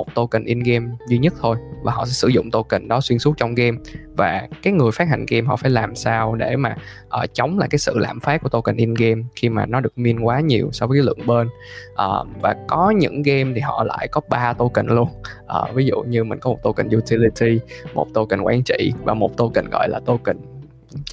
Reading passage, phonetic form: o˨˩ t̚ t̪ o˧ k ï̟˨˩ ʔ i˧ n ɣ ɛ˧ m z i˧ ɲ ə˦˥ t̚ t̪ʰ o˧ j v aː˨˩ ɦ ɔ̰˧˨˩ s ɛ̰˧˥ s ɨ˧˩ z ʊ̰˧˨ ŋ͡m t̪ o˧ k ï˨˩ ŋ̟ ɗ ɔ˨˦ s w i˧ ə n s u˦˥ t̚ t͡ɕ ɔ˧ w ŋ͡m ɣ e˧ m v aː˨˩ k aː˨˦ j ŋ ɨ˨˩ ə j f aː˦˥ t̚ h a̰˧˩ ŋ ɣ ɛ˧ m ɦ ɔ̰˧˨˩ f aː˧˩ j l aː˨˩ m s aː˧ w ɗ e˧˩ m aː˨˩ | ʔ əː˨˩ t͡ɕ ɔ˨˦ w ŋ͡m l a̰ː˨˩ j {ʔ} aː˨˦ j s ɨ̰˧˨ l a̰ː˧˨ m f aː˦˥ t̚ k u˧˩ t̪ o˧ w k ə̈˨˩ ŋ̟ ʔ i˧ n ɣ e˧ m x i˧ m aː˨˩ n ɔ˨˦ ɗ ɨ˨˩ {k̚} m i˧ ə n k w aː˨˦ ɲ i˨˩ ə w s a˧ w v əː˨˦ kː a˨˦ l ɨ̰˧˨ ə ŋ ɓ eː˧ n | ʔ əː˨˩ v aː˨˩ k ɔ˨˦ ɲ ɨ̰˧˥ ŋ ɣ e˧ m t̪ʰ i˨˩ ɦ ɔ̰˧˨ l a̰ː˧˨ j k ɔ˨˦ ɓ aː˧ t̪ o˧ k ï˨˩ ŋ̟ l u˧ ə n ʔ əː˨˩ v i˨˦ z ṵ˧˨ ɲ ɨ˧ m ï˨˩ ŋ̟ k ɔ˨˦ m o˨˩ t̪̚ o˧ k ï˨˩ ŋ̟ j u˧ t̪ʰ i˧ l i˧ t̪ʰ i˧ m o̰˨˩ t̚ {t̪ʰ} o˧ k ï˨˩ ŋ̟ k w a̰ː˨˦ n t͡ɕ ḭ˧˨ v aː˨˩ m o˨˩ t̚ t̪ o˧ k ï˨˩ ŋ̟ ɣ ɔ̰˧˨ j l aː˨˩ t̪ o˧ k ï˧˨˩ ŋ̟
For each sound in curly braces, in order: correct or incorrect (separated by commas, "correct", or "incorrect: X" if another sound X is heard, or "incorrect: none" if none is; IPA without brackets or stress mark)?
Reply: incorrect: k, correct, incorrect: t̪